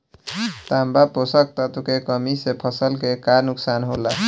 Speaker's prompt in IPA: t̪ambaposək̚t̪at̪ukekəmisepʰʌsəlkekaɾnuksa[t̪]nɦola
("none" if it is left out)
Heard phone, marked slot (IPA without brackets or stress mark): none